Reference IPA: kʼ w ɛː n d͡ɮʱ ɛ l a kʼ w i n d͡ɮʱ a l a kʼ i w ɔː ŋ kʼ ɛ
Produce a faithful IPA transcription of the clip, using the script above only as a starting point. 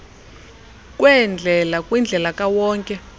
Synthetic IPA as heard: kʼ w ɛ n d͡ɮʱ ɛ l a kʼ w i n d͡ɮʱ ɛ l a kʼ a w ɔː ŋ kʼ ɛ